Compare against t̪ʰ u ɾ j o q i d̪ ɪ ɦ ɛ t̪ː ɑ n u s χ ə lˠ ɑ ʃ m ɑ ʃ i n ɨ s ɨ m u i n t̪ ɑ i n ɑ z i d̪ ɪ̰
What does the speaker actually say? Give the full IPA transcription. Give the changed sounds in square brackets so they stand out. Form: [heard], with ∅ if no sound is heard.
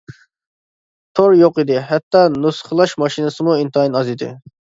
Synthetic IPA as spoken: t̪ʰ [o] ɾ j o q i d̪ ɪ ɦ ɛ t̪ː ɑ n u s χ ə lˠ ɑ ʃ m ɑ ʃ i n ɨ s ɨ m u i n t̪ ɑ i n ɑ z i d̪ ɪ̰